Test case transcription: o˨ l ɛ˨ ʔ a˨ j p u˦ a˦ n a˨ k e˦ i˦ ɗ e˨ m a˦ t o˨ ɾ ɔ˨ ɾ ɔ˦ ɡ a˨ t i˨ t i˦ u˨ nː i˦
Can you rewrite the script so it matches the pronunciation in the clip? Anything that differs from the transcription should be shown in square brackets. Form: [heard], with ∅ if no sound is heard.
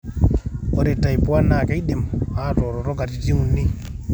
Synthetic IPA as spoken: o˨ [ɾ] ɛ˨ [t] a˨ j p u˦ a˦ n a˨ k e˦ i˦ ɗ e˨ m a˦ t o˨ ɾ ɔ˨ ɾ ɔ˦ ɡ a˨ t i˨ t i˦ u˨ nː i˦